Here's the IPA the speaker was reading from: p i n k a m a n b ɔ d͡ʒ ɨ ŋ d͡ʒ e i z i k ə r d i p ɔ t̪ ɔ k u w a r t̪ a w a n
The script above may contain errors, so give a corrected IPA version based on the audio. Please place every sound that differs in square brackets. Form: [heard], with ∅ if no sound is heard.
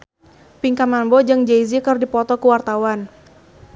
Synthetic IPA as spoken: p i [ŋ] k a m a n b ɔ d͡ʒ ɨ ŋ d͡ʒ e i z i k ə r d i p ɔ t̪ ɔ k u w a r t̪ a w a n